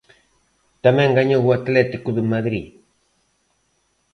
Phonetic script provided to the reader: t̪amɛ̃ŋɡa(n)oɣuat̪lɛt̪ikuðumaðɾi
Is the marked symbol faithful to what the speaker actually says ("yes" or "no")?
no